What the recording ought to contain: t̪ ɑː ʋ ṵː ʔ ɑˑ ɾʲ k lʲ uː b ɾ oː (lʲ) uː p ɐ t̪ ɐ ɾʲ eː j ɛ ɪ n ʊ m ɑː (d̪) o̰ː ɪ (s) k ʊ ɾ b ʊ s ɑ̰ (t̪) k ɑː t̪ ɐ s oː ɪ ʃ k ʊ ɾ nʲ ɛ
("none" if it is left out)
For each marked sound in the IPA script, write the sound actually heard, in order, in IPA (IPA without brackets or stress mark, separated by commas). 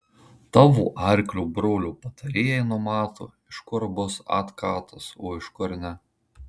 lʲ, t̪, ʃ, t̪